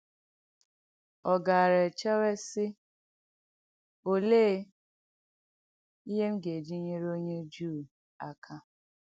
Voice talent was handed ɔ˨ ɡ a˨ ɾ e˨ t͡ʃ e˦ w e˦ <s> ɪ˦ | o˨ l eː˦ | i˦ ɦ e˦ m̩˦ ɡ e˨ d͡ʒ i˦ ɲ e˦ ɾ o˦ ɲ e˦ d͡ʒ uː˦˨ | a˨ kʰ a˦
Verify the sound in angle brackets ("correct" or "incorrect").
correct